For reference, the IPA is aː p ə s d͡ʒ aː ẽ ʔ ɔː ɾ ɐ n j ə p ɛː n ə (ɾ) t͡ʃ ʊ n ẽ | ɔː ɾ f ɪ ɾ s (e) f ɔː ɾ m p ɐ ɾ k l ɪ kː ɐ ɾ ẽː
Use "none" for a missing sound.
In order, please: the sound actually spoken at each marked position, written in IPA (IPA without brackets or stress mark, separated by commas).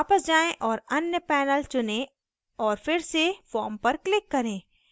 l, e